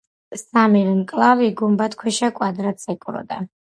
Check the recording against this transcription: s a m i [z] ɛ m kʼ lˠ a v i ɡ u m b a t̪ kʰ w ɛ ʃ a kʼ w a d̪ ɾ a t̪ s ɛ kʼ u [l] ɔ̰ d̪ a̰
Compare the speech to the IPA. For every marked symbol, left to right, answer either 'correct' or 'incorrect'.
incorrect, incorrect

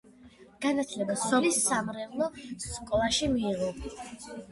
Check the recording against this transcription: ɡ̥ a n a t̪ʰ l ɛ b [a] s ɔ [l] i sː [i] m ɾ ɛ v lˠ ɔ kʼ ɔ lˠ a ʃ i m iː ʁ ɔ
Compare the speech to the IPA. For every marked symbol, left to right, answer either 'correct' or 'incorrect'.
correct, correct, incorrect

